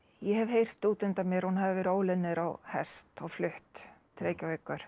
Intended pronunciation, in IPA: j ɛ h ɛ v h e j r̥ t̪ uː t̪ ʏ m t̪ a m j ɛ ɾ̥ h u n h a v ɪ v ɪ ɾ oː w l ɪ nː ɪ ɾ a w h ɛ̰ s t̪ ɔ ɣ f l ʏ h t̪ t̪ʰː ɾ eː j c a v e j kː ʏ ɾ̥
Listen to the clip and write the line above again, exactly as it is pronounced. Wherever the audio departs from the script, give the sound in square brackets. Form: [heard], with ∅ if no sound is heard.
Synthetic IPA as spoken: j ɛ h ɛ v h e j r̥ t̪ uː t̪ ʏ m t̪ a m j ɛ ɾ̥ h u n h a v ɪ v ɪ ɾ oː w l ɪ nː ɪ ɾ a w h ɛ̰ s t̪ ɔ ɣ f l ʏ h t̪ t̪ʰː ɾ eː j c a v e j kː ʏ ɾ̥